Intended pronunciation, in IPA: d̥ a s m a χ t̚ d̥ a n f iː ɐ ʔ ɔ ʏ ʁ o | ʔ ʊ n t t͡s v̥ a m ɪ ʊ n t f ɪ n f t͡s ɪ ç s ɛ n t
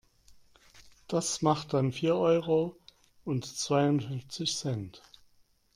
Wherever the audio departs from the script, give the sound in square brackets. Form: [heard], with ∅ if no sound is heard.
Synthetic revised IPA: d̥ a s m a χ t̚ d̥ a n f iː ɐ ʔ ɔ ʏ ʁ o | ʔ ʊ n t t͡s v̥ a [∅] ɪ ʊ n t f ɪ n f t͡s ɪ ç s ɛ n t